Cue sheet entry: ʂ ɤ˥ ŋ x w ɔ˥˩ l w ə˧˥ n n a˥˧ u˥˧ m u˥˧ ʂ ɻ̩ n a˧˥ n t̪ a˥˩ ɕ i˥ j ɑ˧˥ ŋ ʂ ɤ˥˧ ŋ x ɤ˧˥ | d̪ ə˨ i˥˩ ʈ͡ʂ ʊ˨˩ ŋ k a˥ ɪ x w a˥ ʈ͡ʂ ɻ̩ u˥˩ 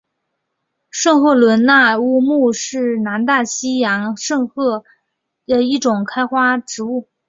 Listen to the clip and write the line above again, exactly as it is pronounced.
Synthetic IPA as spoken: ʂ ɤ˥˧ ŋ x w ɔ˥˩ l w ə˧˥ n n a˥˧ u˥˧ m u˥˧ ʂ ɻ̩ n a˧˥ n t̪ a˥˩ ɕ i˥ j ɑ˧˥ ŋ ʂ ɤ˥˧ ŋ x ɤ˥˩ | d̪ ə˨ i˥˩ ʈ͡ʂ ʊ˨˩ ŋ kʰ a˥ ɪ x w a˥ ʈ͡ʂ ɻ̩ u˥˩